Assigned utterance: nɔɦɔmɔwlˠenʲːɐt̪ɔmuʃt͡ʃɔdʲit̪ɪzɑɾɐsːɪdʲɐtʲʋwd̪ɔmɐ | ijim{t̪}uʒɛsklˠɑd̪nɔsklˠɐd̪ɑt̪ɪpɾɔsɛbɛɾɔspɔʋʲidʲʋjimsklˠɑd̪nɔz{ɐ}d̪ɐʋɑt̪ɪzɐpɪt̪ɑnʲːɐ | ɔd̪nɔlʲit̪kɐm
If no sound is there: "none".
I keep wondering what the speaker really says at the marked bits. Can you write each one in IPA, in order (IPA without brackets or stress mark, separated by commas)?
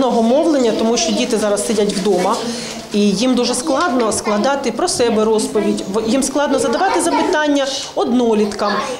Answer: d̪, ɐ